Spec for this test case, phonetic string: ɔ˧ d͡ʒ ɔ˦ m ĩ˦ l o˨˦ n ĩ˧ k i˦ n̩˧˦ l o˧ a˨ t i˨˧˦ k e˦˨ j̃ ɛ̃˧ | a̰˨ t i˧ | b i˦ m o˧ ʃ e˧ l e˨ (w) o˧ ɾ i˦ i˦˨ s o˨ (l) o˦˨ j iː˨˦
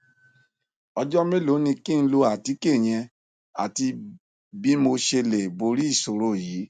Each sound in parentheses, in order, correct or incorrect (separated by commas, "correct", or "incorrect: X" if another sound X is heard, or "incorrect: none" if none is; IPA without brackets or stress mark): incorrect: b, incorrect: ɾ